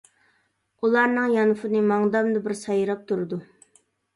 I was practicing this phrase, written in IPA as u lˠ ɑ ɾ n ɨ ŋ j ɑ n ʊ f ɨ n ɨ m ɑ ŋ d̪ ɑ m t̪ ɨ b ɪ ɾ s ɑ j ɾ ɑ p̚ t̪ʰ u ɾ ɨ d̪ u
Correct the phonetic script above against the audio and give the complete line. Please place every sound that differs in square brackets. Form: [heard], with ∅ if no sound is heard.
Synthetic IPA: u lˠ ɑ ɾ n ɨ ŋ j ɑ n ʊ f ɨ n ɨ m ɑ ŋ d̪ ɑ m [d̪] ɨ b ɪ ɾ s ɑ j ɾ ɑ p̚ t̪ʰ u ɾ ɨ d̪ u